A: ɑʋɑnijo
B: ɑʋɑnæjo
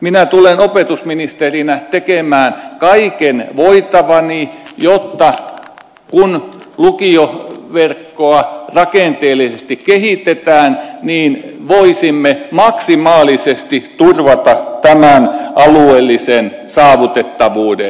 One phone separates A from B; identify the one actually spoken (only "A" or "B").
A